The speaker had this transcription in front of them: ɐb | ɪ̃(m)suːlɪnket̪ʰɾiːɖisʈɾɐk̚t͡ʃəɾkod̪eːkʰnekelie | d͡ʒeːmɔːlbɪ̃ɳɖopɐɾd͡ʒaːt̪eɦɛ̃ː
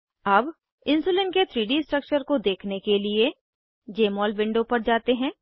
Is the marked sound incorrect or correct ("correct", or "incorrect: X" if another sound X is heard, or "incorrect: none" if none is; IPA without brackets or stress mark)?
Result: incorrect: n